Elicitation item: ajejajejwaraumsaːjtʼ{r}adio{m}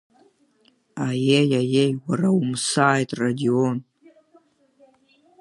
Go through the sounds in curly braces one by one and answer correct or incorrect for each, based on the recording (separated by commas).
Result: correct, incorrect